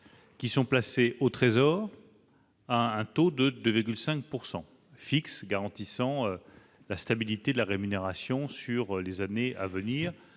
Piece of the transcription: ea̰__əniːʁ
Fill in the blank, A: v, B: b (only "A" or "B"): A